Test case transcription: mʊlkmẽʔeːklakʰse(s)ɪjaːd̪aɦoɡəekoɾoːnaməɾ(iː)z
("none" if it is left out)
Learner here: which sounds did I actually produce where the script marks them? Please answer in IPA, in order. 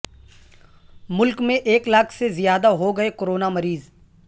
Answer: z, iː

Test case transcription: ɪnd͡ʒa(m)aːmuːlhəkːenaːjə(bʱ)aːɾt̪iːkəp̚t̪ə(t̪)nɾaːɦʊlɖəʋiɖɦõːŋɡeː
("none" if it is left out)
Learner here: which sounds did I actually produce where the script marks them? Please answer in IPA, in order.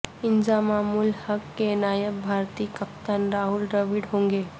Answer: m, bʱ, none

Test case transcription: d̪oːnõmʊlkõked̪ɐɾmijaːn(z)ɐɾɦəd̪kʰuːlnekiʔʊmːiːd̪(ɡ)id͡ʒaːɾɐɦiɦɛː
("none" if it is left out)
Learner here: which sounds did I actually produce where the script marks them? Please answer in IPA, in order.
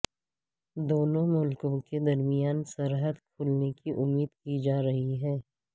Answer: s, k

